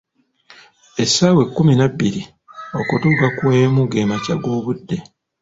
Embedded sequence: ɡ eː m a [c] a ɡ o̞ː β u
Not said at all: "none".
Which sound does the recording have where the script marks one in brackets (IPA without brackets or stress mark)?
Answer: c